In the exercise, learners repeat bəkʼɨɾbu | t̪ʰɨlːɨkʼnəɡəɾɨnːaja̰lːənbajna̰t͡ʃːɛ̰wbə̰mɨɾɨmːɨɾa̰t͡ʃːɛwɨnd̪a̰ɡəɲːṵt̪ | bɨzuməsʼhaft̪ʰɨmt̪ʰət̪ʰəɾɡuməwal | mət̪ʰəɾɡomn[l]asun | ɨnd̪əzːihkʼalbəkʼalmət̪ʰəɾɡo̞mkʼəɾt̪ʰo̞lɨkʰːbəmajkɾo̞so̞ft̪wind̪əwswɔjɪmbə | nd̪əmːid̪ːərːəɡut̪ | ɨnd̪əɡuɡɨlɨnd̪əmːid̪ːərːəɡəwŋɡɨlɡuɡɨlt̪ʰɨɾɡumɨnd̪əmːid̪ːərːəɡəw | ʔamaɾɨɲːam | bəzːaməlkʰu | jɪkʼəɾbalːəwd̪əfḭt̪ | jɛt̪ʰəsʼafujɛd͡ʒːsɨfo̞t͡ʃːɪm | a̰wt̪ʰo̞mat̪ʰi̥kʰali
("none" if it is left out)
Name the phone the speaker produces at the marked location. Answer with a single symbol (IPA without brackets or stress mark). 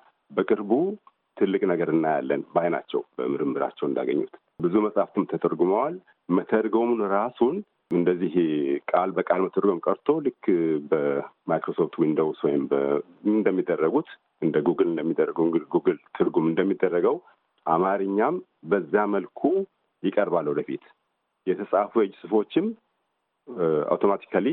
ɾ